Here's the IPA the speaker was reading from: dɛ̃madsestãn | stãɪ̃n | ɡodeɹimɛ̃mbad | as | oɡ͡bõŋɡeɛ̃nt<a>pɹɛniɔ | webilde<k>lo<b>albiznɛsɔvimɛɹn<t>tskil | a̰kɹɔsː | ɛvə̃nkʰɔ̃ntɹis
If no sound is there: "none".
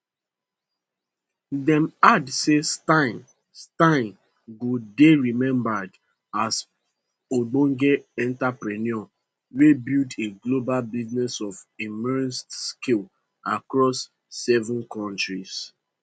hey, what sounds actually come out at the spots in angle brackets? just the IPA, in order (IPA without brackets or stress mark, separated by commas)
a, ɡ, b, s